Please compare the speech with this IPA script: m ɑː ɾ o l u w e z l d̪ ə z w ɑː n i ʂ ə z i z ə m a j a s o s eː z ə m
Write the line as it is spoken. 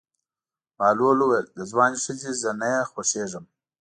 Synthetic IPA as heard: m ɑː l o l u w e l d̪ ə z w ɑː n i ʂ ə z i z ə n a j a x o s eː ʐ ə m